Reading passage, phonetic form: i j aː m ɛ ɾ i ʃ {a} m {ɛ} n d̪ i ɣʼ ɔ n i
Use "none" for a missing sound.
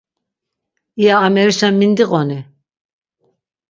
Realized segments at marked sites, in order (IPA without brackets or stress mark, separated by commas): a, i